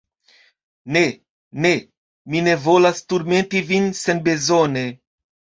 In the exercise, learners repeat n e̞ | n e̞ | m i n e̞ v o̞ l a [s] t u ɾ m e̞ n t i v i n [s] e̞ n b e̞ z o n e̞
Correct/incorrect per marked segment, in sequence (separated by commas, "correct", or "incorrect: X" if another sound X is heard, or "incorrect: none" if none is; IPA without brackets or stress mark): correct, correct